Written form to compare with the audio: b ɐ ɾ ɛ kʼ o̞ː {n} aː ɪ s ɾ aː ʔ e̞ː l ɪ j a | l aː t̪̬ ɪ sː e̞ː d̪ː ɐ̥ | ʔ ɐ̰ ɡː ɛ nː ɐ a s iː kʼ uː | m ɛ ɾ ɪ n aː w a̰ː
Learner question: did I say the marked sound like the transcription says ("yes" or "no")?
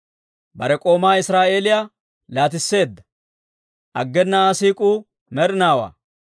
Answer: no